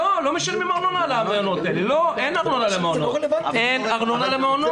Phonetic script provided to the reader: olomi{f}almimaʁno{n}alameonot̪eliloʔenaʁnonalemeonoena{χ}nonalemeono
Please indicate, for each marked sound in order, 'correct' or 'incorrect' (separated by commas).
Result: incorrect, correct, incorrect